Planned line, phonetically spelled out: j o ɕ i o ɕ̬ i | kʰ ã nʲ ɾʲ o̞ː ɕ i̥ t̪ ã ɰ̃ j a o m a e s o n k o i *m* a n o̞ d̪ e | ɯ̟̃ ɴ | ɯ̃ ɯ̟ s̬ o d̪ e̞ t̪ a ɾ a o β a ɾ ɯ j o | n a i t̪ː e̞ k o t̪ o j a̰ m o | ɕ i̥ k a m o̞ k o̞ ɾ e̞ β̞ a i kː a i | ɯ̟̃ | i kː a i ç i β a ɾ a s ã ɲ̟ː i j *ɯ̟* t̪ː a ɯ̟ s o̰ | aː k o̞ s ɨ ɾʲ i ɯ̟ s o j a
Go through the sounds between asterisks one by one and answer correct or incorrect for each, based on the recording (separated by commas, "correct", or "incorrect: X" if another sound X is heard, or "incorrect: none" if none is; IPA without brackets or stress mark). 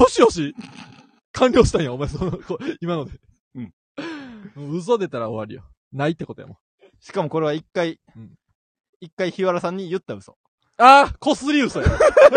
correct, correct